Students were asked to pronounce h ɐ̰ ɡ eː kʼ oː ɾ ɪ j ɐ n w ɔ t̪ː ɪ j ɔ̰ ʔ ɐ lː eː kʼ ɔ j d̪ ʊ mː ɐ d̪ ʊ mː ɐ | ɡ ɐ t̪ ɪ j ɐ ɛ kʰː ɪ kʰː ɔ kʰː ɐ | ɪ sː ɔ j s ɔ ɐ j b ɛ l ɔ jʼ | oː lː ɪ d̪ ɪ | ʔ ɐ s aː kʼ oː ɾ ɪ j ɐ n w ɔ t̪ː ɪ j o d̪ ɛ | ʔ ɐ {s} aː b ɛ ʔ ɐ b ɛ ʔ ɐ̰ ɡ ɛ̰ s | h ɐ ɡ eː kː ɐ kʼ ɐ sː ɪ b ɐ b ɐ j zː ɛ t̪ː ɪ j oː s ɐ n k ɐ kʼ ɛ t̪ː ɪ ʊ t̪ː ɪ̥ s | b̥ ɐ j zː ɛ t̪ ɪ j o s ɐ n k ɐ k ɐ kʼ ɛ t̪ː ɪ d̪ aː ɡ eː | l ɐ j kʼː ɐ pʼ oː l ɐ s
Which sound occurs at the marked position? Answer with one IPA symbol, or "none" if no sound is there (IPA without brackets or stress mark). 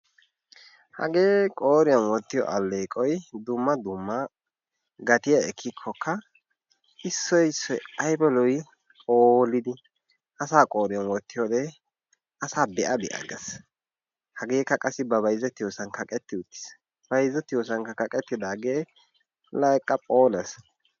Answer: s